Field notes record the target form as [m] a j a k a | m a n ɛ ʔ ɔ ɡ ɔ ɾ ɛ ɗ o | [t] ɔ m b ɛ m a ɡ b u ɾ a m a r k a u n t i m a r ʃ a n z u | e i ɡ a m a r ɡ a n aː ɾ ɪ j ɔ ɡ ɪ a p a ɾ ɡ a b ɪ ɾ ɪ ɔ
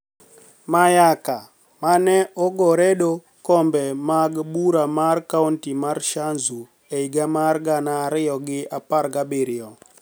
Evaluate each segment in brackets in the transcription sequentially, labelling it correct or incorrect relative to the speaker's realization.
correct, incorrect: k

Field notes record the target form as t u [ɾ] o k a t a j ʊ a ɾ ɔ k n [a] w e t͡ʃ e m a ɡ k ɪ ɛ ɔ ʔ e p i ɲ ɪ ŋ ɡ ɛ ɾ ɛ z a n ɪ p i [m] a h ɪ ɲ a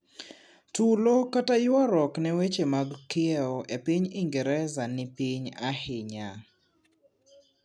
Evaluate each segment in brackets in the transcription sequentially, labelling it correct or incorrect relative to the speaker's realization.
incorrect: l, incorrect: ɛ, incorrect: ɲ

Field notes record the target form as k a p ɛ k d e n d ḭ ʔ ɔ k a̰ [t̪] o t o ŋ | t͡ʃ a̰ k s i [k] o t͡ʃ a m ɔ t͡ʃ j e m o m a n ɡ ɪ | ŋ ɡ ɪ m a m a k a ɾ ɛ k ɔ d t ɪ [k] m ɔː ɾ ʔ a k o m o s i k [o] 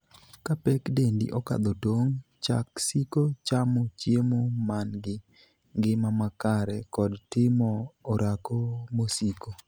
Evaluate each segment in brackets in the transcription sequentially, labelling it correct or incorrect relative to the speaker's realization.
incorrect: d̪, correct, incorrect: none, correct

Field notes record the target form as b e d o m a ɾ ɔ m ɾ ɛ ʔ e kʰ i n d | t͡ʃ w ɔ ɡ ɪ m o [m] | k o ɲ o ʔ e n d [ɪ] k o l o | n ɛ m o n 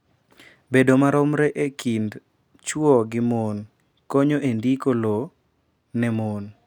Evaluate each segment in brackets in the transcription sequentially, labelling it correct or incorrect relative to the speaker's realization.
incorrect: n, incorrect: i

